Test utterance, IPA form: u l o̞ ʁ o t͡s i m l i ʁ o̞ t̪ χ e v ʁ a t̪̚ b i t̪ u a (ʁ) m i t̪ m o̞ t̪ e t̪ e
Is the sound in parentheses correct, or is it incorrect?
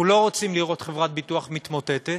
incorrect